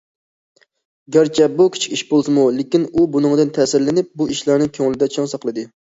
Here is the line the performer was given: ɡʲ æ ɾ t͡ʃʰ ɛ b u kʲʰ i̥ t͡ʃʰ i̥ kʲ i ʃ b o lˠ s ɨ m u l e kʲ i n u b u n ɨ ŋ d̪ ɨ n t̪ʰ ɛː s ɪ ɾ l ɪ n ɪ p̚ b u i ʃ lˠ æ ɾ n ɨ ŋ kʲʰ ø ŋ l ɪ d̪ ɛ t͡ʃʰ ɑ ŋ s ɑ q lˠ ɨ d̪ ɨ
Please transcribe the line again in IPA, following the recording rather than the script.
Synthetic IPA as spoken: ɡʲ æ ɾ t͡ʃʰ ɛ b u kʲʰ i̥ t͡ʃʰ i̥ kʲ i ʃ b o lˠ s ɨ m u l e kʲ i n u b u n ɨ ŋ d̪ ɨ n t̪ʰ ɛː s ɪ ɾ l ɪ n ɪ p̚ b u i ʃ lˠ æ ɾ n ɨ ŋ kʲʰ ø ŋ l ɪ d̪ ɛ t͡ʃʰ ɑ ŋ s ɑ q lˠ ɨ d̪ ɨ